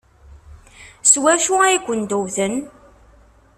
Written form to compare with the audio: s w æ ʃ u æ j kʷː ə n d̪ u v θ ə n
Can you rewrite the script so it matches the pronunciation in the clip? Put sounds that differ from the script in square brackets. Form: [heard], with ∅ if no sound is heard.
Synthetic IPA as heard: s w æ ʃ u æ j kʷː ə n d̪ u [w] θ ə n